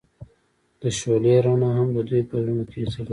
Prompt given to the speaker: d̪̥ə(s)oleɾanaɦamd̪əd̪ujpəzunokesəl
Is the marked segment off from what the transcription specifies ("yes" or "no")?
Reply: yes